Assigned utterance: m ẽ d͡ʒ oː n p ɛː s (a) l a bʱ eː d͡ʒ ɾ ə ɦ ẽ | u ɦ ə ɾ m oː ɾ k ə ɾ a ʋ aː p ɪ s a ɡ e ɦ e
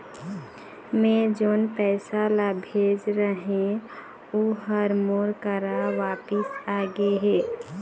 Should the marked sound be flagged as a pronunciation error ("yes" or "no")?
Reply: no